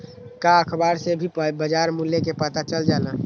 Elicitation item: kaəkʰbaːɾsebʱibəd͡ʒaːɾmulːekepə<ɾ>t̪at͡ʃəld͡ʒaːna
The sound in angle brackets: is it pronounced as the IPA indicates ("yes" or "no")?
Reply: no